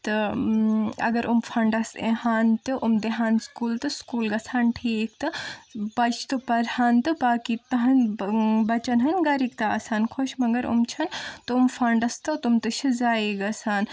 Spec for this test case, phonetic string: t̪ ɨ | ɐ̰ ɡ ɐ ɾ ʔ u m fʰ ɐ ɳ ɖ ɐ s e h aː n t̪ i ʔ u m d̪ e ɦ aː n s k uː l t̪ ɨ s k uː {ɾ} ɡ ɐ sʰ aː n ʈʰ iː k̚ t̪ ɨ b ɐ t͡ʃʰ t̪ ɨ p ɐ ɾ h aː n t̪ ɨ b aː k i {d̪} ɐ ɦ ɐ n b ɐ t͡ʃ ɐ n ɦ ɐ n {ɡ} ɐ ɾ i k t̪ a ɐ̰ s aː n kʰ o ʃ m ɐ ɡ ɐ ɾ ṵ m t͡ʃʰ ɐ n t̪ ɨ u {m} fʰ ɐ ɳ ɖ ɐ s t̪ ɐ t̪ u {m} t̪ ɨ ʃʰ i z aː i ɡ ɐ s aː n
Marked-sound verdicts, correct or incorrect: incorrect: l, incorrect: t̪, correct, correct, correct

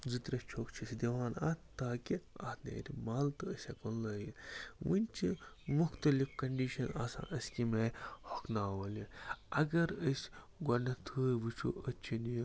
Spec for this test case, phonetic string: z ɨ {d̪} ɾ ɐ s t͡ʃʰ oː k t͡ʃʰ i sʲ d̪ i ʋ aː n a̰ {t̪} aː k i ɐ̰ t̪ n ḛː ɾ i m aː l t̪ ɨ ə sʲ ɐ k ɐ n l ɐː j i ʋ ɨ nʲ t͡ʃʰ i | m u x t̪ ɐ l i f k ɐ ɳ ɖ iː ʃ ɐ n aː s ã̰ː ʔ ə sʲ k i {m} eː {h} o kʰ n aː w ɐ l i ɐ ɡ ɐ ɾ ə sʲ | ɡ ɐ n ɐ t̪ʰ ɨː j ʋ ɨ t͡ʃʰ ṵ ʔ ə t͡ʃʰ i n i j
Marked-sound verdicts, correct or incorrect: incorrect: t̪, correct, correct, correct

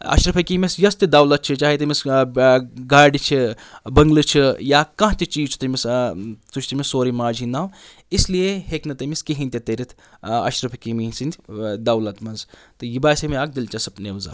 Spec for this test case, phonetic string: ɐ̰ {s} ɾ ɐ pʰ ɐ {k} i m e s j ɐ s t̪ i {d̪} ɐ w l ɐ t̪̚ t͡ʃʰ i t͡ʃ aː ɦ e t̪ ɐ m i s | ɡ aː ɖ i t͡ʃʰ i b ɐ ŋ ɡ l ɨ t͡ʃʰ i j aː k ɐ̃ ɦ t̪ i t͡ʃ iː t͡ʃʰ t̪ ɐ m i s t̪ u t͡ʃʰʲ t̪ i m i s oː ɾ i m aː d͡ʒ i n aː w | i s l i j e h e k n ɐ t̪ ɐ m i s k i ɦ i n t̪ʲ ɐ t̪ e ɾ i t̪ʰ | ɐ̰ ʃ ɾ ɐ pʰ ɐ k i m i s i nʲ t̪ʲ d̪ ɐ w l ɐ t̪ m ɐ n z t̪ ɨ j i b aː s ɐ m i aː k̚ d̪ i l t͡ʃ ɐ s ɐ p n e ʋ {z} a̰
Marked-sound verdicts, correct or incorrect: incorrect: ʃ, correct, correct, correct

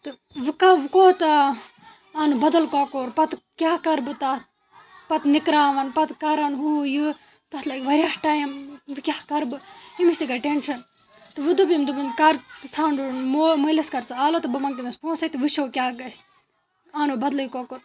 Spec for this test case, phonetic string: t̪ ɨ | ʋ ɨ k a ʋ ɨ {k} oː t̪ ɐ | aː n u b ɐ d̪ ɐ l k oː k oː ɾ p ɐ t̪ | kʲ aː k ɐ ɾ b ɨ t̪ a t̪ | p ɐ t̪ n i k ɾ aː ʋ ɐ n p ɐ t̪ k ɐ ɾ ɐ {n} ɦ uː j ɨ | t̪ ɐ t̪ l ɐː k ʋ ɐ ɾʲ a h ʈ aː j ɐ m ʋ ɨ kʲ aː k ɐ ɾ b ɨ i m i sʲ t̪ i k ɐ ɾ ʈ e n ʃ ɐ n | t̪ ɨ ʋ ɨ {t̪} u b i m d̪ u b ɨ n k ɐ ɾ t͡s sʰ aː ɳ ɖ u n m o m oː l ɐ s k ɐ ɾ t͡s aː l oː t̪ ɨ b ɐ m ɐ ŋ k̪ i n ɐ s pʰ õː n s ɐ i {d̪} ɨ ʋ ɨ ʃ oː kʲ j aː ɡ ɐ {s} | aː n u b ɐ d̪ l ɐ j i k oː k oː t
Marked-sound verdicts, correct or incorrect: correct, correct, incorrect: d̪, incorrect: t̪, correct

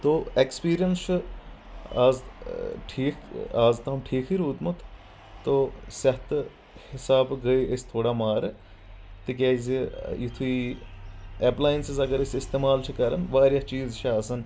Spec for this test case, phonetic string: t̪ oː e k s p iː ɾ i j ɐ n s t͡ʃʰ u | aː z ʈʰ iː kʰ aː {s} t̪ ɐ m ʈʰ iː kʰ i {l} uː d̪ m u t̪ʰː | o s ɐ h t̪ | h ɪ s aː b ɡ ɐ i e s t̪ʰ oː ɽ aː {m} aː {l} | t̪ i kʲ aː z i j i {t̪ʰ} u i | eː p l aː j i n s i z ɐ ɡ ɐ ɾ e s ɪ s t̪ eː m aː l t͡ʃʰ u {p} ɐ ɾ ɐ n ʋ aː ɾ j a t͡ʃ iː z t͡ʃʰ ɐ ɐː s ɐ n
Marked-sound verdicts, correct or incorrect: incorrect: z, incorrect: ɾ, correct, incorrect: ɾ, correct, incorrect: k

